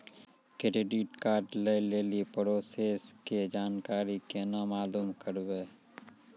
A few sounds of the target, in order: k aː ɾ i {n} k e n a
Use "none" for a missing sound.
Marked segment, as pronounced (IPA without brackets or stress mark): none